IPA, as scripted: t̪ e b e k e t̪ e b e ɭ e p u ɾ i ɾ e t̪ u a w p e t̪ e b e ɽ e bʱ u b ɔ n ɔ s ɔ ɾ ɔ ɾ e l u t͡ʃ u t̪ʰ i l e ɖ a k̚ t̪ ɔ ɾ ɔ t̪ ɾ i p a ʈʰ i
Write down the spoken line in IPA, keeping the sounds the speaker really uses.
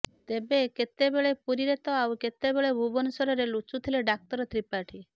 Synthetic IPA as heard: t̪ e b e k e t̪ e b e ɭ e p u ɾ i ɾ e t̪ ɔ a w k e t̪ e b e ɭ e bʱ u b ɔ n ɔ s ɔ ɾ ɔ ɾ e l u t͡ʃ u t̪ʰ i l e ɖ a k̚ t̪ ɔ ɾ ɔ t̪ ɾ i p a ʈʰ i